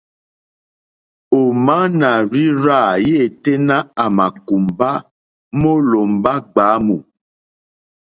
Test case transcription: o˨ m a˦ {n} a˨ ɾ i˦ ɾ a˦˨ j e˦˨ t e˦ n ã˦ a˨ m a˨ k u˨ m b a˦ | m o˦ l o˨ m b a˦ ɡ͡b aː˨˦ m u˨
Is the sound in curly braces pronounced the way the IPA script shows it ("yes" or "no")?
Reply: yes